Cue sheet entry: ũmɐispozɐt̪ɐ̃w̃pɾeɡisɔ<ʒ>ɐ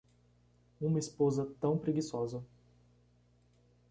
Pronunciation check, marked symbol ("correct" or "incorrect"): incorrect